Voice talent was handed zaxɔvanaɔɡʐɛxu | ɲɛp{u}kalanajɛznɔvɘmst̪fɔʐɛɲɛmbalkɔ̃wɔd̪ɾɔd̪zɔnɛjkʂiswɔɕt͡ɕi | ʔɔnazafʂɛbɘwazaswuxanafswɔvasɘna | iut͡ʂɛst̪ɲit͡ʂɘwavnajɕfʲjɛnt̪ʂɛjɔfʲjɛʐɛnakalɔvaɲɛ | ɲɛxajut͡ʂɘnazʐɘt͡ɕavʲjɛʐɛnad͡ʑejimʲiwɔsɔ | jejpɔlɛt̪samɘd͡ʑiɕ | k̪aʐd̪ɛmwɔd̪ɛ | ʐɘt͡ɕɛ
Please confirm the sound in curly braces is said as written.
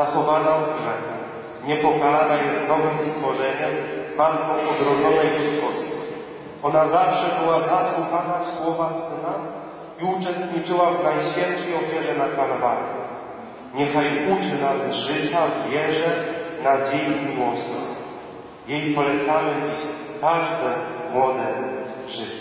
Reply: no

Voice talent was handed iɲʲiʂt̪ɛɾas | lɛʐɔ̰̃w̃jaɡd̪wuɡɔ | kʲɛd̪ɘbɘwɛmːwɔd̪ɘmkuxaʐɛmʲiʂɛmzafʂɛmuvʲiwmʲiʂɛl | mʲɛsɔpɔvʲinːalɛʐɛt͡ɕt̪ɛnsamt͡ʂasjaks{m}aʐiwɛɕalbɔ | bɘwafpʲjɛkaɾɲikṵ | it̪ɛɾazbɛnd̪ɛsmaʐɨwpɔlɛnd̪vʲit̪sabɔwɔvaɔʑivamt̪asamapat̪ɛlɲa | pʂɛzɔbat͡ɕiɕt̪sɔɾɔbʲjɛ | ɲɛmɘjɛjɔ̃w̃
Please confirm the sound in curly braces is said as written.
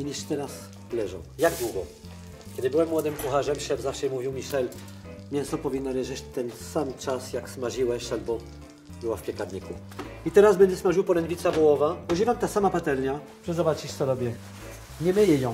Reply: yes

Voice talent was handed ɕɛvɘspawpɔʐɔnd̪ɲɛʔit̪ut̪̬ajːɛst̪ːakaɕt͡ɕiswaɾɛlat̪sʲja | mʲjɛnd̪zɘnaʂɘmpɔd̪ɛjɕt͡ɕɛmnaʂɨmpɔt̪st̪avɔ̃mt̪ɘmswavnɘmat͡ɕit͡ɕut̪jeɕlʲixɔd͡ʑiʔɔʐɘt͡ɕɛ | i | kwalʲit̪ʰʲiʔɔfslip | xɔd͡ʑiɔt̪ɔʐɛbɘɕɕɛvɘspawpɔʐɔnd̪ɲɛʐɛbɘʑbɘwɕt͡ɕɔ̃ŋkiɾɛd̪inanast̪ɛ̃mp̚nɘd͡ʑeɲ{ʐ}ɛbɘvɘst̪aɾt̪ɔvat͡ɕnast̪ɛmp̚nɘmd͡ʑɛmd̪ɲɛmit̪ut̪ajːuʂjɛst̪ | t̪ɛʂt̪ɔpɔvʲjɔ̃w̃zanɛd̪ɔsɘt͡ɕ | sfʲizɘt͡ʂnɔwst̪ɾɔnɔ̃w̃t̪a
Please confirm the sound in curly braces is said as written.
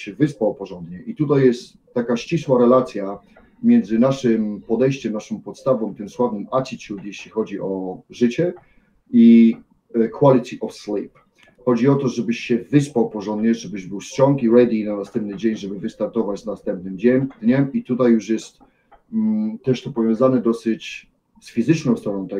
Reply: yes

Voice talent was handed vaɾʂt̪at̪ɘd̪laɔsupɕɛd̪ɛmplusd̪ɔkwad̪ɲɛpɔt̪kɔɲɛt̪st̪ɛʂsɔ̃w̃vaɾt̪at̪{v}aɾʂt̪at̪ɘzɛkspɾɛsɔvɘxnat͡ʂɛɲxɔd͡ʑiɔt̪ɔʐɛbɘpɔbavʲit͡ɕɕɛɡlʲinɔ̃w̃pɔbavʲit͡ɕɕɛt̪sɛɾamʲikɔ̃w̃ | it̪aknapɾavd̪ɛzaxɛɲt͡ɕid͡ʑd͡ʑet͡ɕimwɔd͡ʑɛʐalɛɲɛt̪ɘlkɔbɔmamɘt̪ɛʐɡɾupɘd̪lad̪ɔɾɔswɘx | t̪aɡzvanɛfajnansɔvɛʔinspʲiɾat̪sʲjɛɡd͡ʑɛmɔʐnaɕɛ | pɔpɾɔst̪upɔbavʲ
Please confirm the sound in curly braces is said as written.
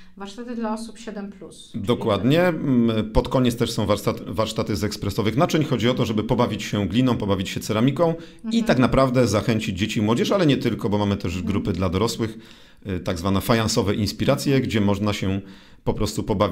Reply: yes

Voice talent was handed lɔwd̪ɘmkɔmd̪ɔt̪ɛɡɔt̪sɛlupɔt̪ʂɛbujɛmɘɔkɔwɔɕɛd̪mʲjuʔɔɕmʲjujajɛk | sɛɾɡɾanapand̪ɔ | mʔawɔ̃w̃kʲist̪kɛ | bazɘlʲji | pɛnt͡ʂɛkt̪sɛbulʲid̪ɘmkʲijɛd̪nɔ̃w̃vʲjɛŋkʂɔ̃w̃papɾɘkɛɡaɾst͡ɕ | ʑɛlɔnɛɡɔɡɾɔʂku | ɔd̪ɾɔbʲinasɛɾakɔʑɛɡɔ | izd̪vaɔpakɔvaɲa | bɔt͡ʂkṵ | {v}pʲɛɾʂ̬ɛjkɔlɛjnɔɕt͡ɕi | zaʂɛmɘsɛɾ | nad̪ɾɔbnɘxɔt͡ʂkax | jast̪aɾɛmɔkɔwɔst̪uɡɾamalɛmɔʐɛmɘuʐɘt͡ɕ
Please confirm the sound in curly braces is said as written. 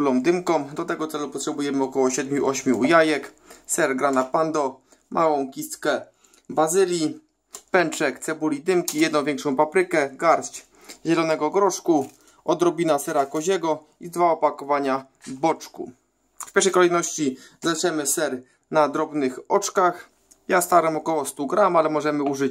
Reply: no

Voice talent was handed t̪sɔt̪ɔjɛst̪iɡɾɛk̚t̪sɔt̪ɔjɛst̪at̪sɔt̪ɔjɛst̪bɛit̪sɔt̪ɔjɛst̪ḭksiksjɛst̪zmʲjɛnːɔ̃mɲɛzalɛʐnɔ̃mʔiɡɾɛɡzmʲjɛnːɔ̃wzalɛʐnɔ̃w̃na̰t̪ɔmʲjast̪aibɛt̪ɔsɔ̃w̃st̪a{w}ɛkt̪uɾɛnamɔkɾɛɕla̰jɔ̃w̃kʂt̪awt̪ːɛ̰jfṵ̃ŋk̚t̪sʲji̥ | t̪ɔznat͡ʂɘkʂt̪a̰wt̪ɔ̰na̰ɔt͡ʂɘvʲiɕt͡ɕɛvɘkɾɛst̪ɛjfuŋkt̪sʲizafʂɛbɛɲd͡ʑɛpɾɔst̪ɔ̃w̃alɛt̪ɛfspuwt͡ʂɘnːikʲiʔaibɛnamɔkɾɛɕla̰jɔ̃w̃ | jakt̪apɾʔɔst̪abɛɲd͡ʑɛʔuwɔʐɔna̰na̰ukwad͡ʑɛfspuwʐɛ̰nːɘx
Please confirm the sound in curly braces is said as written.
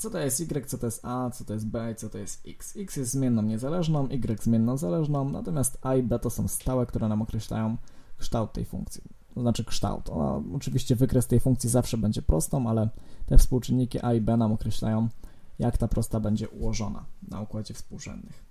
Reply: yes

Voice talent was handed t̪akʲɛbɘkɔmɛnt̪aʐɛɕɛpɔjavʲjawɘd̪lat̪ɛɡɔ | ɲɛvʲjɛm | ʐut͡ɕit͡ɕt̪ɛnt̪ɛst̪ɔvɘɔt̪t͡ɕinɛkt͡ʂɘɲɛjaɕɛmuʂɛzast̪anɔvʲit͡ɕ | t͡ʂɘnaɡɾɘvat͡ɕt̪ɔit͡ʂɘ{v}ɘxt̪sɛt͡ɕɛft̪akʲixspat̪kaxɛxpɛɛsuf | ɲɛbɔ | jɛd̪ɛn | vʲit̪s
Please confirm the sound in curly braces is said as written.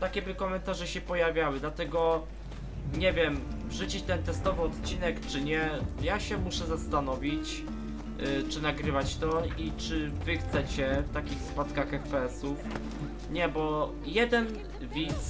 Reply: yes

